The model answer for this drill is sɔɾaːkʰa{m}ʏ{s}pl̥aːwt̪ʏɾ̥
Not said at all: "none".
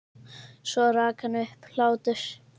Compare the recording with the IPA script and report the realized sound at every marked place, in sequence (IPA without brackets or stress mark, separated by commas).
n, h